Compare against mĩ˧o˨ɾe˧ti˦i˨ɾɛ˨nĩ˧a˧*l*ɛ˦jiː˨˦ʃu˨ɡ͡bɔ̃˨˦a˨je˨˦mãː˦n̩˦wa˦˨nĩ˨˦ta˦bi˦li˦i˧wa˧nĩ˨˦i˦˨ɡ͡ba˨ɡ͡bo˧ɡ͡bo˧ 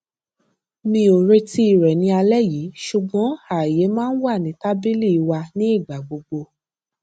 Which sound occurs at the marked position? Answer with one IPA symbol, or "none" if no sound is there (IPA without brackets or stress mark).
l